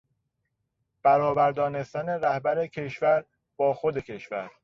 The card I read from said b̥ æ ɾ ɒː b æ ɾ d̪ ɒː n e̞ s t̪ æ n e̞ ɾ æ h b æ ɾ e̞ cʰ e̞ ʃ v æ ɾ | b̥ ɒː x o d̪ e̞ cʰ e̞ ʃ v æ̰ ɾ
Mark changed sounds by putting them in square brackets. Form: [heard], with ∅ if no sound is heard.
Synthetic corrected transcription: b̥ æ ɾ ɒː b æ ɾ d̪ ɒː n e̞ s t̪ æ n e̞ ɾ æ h b æ ɾ e̞ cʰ e̞ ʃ v æ ɾ | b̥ ɒː x o d̪ e̞ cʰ e̞ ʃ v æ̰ ɾ